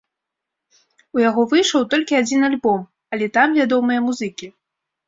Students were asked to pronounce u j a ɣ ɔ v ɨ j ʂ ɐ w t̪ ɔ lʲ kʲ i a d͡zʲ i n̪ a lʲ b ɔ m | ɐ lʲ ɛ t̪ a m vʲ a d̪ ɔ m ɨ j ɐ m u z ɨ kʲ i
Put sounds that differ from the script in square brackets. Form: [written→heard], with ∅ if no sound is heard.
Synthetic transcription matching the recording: u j a ɣ ɔ v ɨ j ʂ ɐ w t̪ ɔ lʲ kʲ i a d͡zʲ i n̪ a lʲ b ɔ m | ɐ lʲ ɛ t̪ a m vʲ a d̪ ɔ m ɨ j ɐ m u z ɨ kʲ i